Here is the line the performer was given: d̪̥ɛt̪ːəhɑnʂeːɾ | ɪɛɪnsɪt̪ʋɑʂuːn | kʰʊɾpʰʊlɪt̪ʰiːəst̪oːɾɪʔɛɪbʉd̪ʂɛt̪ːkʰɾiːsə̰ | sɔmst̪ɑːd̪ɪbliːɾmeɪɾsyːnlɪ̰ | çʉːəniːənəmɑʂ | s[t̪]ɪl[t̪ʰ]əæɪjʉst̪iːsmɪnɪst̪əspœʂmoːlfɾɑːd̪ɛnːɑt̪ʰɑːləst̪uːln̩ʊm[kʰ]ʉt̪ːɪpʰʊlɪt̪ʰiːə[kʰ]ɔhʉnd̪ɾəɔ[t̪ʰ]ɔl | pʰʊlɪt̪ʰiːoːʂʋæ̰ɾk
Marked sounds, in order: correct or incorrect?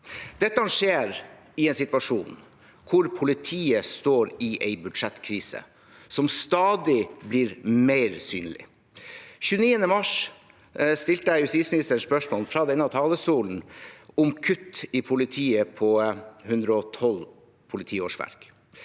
correct, incorrect: t̪, correct, incorrect: pʰ, correct

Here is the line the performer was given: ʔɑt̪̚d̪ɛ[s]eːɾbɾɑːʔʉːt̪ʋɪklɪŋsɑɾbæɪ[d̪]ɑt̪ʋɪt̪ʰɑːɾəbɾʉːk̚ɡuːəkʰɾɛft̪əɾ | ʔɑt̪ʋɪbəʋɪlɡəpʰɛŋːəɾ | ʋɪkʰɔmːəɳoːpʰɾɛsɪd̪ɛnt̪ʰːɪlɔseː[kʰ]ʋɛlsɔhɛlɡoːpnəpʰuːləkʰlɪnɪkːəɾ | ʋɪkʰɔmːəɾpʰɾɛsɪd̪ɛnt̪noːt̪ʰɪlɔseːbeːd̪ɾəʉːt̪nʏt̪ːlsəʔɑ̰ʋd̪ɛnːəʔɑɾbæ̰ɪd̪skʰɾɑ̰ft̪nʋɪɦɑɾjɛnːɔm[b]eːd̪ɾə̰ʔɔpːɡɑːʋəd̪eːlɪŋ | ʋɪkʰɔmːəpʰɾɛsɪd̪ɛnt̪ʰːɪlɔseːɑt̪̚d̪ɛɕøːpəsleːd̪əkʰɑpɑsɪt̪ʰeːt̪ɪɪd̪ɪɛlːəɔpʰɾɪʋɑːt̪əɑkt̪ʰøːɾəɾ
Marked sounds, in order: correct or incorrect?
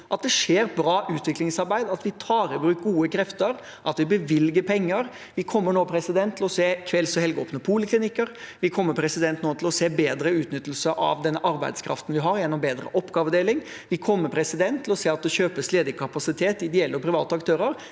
incorrect: ʂ, correct, correct, correct

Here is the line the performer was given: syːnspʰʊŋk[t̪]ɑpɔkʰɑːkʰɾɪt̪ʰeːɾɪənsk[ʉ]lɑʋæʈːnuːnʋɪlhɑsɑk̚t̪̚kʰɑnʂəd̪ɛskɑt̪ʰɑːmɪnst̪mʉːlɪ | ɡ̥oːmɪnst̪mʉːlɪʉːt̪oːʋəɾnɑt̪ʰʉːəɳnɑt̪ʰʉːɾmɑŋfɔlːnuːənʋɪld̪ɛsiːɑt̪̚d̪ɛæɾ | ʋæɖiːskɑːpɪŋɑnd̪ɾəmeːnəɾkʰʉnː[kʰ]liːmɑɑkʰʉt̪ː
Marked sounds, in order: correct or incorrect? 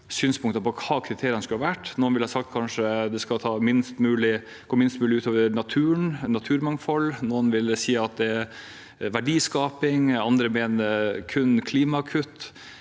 correct, correct, correct

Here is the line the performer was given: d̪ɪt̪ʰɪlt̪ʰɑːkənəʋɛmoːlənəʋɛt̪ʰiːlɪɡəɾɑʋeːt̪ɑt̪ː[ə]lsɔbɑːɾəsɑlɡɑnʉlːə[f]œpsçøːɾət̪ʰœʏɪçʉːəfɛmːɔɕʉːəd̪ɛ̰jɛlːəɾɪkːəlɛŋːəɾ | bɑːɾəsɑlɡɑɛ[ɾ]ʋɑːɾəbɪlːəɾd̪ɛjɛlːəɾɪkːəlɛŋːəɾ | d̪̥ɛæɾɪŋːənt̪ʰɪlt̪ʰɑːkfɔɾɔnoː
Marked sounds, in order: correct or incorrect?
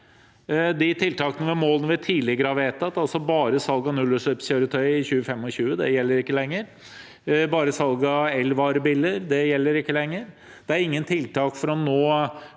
incorrect: ɑ, incorrect: ʂ, incorrect: l

